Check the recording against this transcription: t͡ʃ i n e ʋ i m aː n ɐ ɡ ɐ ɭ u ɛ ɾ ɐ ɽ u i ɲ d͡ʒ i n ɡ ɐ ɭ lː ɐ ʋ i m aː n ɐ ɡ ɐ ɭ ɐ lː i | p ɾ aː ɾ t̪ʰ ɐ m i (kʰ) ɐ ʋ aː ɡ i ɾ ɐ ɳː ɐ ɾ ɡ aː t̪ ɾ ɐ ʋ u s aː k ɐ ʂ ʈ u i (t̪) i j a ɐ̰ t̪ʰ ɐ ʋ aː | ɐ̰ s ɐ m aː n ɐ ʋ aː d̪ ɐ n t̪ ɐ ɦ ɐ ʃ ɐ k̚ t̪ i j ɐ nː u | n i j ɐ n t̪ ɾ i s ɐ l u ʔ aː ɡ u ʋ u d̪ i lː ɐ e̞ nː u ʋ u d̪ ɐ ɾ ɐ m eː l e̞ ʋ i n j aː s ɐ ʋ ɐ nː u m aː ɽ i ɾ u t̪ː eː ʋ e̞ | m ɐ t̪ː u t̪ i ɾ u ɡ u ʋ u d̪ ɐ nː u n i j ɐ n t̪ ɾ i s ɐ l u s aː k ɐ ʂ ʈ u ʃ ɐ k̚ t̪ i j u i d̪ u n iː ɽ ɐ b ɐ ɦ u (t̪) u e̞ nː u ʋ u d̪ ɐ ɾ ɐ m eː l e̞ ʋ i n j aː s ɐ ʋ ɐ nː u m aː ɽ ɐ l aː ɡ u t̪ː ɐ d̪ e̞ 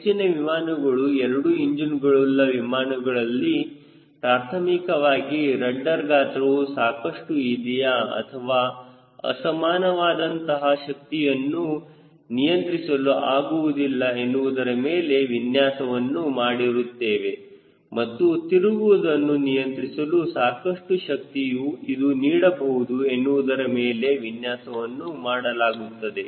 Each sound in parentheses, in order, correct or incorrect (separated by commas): incorrect, incorrect, incorrect